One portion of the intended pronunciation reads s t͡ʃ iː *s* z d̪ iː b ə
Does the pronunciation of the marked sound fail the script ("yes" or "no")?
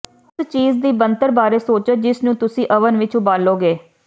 yes